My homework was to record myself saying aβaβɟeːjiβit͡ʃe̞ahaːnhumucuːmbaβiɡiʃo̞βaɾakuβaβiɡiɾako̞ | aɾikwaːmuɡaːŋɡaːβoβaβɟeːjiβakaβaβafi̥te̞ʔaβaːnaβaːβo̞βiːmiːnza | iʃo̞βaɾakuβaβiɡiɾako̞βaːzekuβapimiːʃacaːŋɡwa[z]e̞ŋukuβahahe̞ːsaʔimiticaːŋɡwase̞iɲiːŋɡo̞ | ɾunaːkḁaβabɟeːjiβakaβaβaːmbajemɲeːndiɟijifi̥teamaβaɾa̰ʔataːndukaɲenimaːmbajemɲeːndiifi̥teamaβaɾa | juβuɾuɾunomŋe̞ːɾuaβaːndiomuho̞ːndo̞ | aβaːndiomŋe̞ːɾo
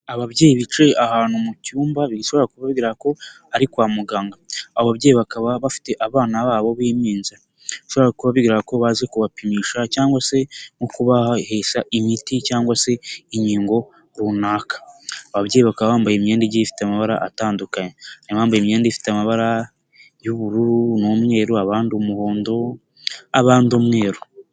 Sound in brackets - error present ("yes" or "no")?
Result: yes